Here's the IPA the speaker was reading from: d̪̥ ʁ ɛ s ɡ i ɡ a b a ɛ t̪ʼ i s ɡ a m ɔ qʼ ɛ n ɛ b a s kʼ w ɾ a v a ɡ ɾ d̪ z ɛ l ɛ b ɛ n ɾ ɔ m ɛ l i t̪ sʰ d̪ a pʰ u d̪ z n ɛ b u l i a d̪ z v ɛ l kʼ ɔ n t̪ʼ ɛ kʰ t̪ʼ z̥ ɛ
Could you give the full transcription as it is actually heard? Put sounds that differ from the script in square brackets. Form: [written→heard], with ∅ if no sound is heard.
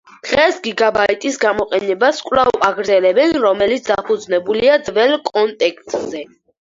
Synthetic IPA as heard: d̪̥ ʁ ɛ s ɡ i ɡ a b a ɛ t̪ʼ i s ɡ a m ɔ qʼ ɛ n ɛ b a s kʼ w [ɾ→l] a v a ɡ ɾ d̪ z ɛ l ɛ b ɛ n ɾ ɔ m ɛ l i t̪ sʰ d̪ a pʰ u d̪ z n ɛ b u l i a d̪ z v ɛ l kʼ ɔ n t̪ʼ ɛ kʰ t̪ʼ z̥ ɛ

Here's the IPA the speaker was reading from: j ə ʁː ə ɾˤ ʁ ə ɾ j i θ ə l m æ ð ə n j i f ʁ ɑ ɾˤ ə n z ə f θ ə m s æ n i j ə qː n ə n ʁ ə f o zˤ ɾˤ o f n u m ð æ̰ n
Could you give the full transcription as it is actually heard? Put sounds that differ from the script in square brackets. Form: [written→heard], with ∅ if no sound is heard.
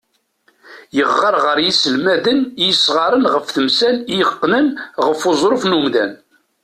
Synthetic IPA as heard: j ə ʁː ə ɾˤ ʁ ə ɾ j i [θ→s] ə l m æ ð ə n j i [f→s] ʁ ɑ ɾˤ ə n [z→ʁ] ə f θ ə m s æ n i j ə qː n ə n ʁ ə f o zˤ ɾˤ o f n u m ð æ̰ n

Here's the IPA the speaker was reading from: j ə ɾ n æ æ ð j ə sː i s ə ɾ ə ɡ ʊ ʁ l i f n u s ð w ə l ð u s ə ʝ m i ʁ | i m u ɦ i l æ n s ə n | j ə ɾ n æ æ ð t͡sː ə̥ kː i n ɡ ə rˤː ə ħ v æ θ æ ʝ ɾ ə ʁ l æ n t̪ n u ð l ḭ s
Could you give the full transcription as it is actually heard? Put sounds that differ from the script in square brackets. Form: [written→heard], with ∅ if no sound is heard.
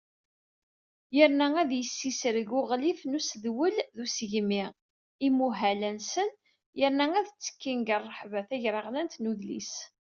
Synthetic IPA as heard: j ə ɾ n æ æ ð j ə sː i s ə ɾ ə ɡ ʊ ʁ l i f n u s ð w ə l ð u s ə ʝ m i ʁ | i m u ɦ [i→æ] l æ n s ə n | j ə ɾ n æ æ ð t͡sː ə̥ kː i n ɡ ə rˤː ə ħ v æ θ æ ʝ ɾ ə ʁ l æ n t̪ n u ð l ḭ s

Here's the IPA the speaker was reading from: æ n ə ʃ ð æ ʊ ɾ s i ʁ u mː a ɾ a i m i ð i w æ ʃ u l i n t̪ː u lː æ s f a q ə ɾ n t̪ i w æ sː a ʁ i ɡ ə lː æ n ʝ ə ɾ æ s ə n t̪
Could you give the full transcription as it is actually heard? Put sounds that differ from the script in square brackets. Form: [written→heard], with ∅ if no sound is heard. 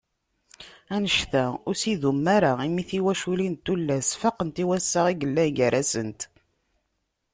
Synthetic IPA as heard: æ n ə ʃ [ð→θ] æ ʊ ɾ s i [ʁ→ð] u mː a ɾ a i m i [ð→θ] i w æ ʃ u l i n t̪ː u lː æ s f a q ə [ɾ→∅] n t̪ i w æ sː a ʁ i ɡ ə lː æ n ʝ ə ɾ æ s ə n t̪

